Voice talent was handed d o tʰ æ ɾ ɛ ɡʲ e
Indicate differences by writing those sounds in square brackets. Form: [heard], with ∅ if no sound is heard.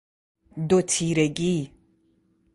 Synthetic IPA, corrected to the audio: d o tʰ [i] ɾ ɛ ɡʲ [i]